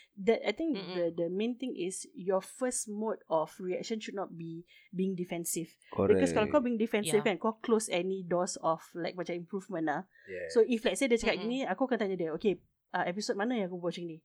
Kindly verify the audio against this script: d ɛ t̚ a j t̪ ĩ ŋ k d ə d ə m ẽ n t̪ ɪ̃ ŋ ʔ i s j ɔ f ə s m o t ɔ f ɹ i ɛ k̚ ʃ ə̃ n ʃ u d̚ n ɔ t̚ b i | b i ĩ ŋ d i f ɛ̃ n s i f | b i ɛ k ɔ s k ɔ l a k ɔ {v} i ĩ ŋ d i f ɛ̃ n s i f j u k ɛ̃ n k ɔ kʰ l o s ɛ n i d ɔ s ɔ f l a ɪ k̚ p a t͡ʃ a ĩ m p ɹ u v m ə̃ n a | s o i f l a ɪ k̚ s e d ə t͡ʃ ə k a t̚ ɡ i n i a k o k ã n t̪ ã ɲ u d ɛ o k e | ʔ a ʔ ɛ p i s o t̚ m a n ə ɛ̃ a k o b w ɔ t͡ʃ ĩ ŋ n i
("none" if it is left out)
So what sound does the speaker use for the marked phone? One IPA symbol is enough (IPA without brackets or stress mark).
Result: b